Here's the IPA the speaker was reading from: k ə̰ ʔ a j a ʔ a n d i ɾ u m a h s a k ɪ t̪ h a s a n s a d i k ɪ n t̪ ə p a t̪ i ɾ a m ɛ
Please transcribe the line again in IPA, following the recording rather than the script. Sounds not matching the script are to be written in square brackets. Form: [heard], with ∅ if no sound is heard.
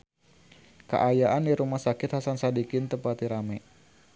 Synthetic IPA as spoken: k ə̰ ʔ a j a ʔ a n d i ɾ u m a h s a k ɪ t̪ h a s a n s a d i k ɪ n t̪ ə p a t̪ i ɾ a m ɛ